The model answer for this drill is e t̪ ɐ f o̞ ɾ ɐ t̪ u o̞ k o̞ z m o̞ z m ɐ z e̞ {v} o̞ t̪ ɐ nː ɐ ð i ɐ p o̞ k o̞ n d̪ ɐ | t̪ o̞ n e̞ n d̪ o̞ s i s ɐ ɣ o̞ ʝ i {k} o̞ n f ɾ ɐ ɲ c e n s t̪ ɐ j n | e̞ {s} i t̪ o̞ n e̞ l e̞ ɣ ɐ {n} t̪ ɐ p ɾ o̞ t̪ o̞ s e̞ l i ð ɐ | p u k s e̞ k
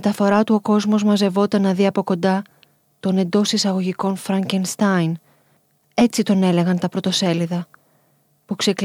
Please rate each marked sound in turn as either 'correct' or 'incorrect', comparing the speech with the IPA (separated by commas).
correct, correct, incorrect, correct